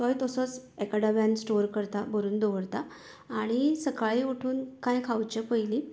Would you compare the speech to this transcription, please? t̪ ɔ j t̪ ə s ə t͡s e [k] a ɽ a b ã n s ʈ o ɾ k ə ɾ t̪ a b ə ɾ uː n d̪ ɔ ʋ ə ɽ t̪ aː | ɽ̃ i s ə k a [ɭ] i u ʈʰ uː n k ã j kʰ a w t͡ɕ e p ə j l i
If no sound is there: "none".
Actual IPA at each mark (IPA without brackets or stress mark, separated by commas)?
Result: k, ɭ